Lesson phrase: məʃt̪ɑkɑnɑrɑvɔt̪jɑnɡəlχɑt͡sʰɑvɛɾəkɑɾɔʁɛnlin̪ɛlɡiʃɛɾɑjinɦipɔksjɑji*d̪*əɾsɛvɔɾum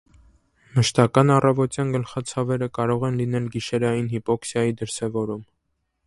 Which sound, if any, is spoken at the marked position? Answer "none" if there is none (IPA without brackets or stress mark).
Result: d̪